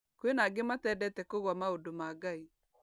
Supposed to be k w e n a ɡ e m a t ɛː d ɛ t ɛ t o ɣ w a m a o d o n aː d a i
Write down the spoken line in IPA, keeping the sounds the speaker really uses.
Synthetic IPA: k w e n a ɡ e m a t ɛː d ɛ t ɛ k o ɣ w a m a o d o m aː ɡ a i

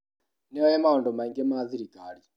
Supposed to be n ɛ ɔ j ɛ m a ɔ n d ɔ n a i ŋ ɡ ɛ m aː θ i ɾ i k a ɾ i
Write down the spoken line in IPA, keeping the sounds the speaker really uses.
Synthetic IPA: n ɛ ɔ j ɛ m a ɔ n d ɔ m a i ŋ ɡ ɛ m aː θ i ɾ i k a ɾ i

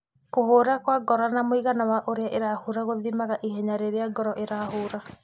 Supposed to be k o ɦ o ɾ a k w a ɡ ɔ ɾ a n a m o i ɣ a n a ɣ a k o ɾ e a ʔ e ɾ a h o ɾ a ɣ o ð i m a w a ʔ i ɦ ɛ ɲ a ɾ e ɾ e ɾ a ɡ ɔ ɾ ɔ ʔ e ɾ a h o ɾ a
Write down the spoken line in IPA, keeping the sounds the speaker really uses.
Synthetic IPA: k o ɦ o ɾ a k w a ɡ ɔ ɾ a n a m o i ɣ a n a w a ʔ o ɾ e a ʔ e ɾ a h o ɾ a ɣ o ð i m a ɣ a ʔ i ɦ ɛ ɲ a ɾ e ɾ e a ɡ ɔ ɾ ɔ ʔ e ɾ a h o ɾ a

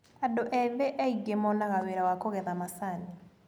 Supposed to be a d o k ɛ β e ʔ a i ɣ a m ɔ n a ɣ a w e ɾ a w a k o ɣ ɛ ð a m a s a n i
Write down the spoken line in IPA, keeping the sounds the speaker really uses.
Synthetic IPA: a d o ʔ ɛ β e ʔ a i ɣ e m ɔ n a ɣ a w e ɾ a w a k o ɣ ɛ ð a m a s a n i

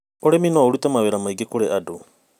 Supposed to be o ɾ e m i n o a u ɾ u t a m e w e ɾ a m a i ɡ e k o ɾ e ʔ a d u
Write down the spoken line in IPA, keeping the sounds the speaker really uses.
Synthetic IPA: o ɾ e m i n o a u ɾ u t a m a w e ɾ a m a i ɡ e k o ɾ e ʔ a d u

